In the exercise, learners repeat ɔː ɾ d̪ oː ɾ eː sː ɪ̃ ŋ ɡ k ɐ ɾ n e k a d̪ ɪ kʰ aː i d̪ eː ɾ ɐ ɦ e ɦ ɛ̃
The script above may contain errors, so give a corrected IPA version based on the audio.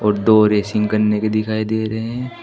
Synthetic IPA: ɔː ɾ d̪ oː ɾ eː s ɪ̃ ŋ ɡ k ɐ ɾ n e k e d̪ ɪ kʰ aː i d̪ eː ɾ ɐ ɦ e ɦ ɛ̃